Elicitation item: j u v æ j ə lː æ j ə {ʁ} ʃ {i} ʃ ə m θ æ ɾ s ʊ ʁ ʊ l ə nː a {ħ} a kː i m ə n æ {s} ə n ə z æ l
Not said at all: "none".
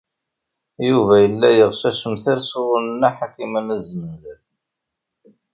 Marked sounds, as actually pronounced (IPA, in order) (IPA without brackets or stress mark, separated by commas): ʁ, æ, ħ, z